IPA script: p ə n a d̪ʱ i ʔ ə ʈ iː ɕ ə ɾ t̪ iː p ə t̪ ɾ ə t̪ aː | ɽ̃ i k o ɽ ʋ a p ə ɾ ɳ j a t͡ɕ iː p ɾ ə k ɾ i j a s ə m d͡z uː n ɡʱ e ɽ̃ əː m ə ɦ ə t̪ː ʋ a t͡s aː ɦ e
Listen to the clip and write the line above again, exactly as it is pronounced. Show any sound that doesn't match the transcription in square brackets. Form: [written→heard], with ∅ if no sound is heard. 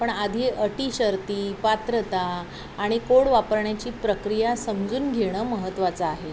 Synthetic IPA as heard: p ə [n→ɳ] a d̪ʱ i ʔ ə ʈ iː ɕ ə ɾ t̪ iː p [ə→a] t̪ ɾ ə t̪ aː | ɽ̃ i k o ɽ ʋ a p ə ɾ ɳ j a t͡ɕ iː p ɾ ə k ɾ i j a s ə m d͡z uː n ɡʱ e ɽ̃ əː m ə ɦ ə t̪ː ʋ a t͡s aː ɦ e